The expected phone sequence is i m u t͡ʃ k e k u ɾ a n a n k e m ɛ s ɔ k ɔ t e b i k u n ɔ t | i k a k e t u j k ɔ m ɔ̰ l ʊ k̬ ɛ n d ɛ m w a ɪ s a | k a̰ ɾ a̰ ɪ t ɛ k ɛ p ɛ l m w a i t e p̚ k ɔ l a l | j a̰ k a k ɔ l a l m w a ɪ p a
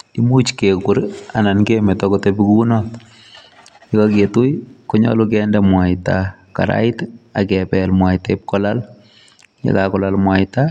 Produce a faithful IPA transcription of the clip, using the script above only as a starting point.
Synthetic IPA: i m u t͡ʃ k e k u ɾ a n a n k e m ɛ t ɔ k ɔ t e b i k u n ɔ t | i k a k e t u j k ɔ ɲ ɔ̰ l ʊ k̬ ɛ n d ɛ m w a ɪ t a | k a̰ ɾ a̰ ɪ t a k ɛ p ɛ l m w a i t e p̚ k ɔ l a l | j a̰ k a k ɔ l a l m w a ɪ t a